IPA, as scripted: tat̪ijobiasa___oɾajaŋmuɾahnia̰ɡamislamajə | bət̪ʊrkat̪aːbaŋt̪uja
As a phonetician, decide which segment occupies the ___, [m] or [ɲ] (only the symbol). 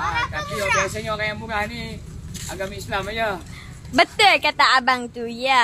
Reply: ɲ